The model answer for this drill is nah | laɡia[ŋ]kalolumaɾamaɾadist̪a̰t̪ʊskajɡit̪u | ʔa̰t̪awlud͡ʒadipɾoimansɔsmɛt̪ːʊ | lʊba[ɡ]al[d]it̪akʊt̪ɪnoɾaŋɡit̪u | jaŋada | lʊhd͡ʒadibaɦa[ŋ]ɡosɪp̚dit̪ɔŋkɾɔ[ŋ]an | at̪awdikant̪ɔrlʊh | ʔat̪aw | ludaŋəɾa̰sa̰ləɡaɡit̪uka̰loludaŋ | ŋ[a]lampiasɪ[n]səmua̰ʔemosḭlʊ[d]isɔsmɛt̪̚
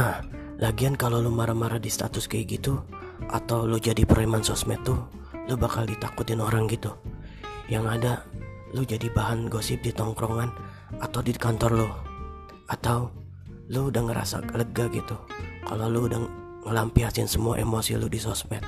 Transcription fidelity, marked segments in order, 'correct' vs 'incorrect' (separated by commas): incorrect, incorrect, correct, incorrect, correct, incorrect, correct, correct